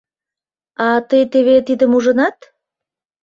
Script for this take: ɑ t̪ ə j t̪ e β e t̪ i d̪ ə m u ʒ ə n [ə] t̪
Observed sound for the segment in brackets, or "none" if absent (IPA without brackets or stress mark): ɑ